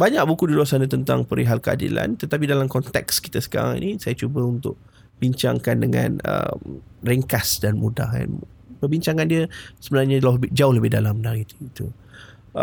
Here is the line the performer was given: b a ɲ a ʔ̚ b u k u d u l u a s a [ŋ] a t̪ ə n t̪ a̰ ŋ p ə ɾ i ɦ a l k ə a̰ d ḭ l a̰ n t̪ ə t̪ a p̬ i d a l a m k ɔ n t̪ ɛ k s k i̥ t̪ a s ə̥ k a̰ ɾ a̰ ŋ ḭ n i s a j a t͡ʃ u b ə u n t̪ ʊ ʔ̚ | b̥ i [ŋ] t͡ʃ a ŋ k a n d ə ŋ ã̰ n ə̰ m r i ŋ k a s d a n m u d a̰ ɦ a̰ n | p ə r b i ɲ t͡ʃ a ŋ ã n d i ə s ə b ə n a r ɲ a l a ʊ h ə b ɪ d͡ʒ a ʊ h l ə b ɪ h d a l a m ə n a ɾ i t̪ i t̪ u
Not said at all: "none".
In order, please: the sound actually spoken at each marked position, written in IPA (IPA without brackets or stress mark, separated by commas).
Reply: n, ɲ